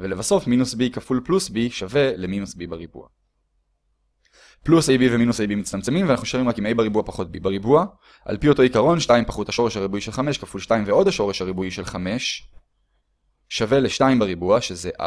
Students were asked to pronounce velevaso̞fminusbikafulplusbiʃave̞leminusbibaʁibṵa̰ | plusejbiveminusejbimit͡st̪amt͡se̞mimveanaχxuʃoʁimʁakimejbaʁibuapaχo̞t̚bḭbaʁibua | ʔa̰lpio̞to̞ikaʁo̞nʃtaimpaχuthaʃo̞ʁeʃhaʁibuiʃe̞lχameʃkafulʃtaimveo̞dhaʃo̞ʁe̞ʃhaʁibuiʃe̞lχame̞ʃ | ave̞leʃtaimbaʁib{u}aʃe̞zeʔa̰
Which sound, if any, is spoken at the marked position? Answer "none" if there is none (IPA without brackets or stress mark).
u